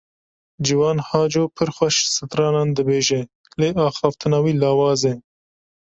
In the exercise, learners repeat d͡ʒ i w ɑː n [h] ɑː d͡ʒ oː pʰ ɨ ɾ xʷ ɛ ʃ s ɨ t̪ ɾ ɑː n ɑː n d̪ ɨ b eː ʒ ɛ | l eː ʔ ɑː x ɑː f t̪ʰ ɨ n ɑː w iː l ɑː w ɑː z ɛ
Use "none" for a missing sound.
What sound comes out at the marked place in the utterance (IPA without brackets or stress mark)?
h